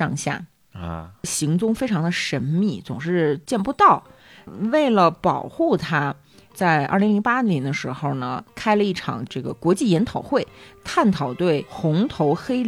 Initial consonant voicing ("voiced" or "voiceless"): voiced